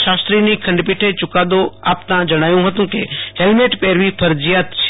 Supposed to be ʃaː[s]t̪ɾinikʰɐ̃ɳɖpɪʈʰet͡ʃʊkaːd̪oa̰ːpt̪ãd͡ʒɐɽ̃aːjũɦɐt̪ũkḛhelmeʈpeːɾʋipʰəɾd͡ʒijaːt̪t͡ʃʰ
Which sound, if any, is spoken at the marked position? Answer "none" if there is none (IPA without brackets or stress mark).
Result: s